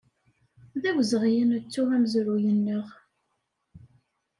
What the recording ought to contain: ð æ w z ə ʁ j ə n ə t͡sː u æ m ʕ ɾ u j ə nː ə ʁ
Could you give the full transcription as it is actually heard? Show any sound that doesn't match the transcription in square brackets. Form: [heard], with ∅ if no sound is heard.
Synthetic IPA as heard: ð æ w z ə ʁ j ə n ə t͡sː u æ m [z] ɾ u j ə nː ə ʁ